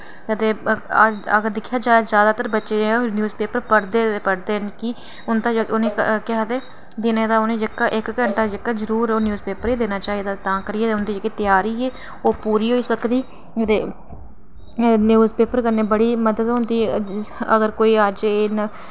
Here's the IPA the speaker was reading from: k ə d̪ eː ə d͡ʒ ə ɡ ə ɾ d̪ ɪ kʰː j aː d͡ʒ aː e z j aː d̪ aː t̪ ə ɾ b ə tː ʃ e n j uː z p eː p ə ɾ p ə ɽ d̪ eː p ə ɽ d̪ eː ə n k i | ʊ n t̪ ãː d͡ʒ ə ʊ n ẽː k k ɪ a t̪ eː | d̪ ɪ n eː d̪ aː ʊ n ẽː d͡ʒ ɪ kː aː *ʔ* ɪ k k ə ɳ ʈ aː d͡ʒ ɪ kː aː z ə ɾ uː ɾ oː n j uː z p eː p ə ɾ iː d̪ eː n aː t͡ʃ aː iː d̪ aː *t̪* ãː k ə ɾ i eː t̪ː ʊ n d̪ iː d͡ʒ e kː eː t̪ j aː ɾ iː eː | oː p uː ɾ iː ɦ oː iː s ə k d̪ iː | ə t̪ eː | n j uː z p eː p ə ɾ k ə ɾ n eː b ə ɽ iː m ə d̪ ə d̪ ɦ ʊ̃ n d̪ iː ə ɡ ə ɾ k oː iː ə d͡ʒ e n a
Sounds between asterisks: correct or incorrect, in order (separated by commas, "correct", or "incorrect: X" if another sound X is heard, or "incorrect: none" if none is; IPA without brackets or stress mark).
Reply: correct, correct